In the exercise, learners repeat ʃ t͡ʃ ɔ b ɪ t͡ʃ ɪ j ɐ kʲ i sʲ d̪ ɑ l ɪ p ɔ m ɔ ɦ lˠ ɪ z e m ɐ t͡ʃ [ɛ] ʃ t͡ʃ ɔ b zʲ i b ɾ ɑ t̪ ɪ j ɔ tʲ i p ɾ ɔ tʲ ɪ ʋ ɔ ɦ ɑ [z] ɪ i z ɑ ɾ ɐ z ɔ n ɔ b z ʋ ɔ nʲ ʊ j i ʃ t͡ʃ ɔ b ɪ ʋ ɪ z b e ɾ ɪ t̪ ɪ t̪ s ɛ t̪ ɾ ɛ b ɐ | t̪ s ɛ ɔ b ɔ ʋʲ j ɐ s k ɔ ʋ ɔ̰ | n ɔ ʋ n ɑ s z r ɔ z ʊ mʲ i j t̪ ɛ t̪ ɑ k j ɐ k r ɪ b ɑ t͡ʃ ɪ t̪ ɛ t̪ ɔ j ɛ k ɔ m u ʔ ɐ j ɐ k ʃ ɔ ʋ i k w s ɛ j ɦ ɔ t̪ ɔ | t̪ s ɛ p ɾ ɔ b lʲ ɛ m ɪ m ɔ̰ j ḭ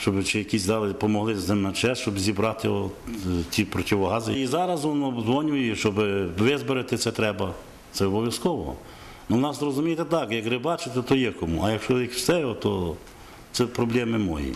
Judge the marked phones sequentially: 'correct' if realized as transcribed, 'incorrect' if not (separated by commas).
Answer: correct, correct